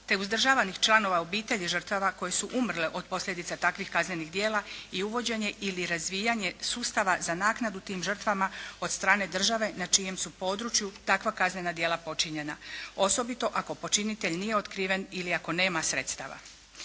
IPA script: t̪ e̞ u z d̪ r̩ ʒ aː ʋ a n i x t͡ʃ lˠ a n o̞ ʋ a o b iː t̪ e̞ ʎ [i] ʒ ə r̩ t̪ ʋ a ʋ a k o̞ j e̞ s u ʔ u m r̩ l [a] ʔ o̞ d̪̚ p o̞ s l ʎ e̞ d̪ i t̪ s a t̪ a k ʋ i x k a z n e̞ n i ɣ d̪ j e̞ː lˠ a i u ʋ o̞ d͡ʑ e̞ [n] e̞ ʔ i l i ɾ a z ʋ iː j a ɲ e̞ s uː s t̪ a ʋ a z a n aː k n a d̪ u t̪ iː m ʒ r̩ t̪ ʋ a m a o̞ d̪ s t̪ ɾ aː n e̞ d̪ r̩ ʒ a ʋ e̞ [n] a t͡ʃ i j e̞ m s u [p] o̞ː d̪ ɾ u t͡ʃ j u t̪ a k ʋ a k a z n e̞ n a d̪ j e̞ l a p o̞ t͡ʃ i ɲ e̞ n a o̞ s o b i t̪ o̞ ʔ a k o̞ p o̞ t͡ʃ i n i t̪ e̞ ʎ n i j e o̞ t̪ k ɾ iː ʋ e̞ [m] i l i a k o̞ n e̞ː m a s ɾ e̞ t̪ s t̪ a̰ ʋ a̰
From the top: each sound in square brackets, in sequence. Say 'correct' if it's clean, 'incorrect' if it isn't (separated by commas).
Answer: correct, incorrect, incorrect, correct, correct, incorrect